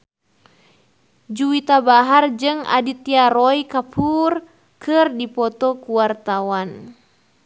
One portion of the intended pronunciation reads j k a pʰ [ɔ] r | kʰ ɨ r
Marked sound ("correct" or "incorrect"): incorrect